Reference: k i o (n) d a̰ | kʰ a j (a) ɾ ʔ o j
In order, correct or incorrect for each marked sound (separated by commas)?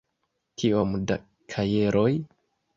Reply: incorrect, incorrect